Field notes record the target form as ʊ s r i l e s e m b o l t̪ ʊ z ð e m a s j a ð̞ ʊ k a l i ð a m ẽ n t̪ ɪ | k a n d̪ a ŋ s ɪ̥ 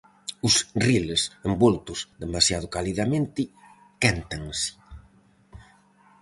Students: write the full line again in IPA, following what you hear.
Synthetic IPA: ʊ s r i l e s e m b o l t̪ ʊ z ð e m a s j a ð̞ ʊ k a l i ð a m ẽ n t̪ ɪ | k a n t̪ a ŋ s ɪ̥